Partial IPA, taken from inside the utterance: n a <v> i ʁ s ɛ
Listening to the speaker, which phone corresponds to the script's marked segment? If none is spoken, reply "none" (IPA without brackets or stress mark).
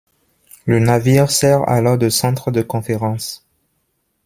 v